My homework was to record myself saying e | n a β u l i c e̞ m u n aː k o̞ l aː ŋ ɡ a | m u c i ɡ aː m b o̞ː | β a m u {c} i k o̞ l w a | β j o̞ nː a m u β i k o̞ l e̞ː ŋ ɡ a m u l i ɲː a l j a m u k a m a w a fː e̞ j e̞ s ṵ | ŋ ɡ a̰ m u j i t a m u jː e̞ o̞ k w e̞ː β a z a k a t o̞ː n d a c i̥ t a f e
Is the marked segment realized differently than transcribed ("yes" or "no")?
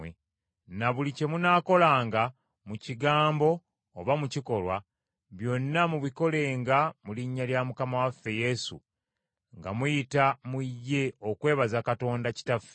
no